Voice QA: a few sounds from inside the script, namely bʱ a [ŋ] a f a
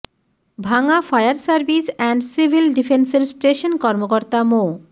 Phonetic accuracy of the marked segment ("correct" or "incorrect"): correct